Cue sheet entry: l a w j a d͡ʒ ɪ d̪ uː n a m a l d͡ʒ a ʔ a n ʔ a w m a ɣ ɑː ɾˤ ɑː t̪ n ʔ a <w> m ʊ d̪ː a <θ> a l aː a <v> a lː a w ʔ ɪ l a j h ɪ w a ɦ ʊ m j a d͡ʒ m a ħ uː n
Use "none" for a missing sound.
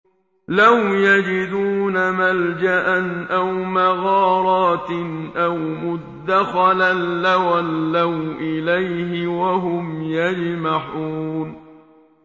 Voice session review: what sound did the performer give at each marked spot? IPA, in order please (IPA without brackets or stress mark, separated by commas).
w, x, w